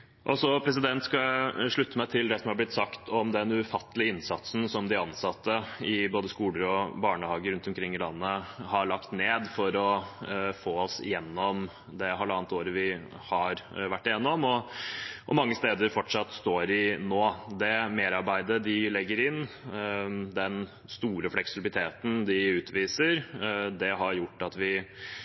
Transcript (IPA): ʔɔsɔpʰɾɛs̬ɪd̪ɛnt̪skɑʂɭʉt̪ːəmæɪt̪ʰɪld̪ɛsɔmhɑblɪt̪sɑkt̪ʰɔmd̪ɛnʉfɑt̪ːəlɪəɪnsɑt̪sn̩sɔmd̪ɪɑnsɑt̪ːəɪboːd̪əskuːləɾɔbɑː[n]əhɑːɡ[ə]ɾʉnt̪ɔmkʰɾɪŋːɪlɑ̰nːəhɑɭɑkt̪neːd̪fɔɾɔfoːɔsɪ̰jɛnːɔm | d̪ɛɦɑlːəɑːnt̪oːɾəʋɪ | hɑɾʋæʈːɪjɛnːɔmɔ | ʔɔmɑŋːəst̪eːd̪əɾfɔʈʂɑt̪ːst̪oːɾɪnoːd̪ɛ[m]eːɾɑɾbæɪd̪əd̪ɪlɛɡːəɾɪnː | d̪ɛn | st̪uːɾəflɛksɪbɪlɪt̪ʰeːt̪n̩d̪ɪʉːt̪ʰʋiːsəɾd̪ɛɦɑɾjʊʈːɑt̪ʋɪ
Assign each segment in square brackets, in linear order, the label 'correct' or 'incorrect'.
incorrect: ɳ, correct, correct

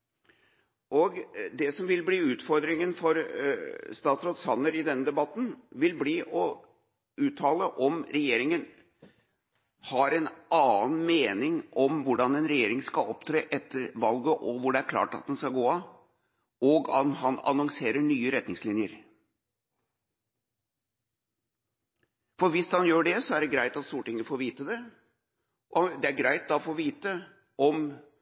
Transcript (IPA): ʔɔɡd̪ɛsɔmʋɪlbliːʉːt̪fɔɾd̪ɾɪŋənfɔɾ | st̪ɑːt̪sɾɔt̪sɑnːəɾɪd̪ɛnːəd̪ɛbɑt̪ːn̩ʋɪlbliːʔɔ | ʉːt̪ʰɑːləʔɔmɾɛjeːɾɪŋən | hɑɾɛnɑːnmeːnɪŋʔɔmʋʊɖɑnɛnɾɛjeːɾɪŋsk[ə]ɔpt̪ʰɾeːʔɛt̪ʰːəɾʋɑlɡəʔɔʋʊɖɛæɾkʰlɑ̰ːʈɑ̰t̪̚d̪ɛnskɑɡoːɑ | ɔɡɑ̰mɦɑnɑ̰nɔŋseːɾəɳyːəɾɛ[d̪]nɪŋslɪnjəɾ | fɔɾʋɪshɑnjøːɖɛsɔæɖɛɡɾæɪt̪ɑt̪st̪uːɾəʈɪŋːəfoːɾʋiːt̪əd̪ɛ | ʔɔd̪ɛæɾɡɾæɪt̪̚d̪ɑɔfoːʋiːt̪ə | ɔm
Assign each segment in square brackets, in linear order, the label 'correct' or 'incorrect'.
incorrect: ɑ, incorrect: t̪

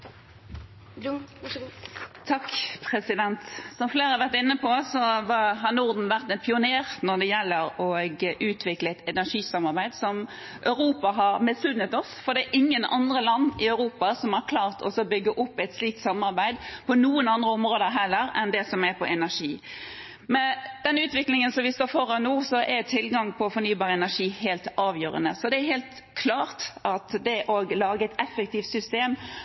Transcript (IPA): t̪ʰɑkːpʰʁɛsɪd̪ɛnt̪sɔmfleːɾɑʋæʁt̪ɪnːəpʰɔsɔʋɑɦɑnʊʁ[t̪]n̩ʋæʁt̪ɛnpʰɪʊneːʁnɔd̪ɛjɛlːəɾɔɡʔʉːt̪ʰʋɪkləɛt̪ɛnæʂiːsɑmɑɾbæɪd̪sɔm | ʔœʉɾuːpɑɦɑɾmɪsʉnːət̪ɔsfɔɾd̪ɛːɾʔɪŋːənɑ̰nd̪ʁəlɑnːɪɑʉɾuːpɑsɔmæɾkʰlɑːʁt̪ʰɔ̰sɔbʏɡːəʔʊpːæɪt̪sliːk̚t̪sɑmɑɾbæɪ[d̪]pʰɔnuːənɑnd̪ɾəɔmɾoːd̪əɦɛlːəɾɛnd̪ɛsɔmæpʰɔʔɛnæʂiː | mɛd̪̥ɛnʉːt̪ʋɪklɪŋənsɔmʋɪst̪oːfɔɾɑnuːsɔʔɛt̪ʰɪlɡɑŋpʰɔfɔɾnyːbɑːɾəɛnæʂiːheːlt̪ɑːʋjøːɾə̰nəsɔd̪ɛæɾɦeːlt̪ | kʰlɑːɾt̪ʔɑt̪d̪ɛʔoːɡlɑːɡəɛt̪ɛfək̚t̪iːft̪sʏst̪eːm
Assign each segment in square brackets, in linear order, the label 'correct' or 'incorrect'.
incorrect: d̪, correct

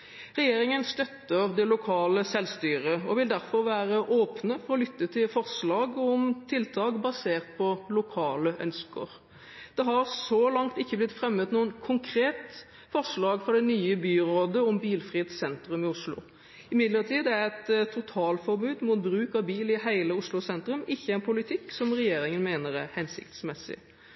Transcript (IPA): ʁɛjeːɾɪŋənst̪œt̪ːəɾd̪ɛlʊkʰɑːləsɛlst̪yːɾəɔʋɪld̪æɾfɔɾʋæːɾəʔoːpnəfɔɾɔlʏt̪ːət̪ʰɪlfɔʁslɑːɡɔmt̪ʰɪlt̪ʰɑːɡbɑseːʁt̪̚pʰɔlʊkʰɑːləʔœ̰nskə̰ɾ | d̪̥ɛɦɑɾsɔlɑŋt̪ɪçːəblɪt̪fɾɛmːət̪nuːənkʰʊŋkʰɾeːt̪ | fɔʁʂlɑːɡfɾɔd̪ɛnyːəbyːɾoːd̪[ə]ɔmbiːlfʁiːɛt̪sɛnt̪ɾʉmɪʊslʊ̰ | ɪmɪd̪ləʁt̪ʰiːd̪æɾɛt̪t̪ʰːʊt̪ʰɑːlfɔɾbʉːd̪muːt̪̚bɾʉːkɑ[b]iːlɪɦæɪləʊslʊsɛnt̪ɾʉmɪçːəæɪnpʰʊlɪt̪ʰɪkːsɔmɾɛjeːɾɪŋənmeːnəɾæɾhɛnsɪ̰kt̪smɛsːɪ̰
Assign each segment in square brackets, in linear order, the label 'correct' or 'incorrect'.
correct, correct

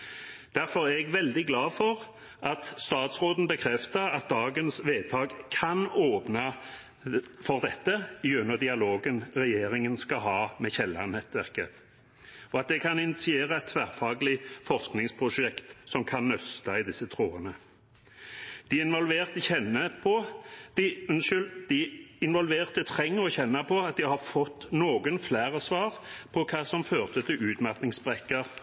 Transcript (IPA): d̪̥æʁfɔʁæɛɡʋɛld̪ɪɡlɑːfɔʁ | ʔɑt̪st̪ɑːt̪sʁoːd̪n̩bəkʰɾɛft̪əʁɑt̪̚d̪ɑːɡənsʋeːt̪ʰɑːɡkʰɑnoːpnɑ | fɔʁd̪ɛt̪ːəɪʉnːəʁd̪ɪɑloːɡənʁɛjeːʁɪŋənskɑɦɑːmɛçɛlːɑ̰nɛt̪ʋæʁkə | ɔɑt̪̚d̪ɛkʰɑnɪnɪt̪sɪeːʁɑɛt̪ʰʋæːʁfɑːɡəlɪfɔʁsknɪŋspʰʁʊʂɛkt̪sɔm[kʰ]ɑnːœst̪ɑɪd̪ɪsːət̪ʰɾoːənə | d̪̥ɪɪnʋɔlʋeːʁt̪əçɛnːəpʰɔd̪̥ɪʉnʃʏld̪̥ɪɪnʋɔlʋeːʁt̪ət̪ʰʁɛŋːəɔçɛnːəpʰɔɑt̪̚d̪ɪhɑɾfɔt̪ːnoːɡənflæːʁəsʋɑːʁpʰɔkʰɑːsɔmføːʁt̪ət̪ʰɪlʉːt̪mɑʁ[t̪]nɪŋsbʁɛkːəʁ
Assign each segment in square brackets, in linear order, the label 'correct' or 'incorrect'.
correct, correct

